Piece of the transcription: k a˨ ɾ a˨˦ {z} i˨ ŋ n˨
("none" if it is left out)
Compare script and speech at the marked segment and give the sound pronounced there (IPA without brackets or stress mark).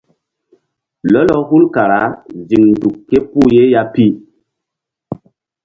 z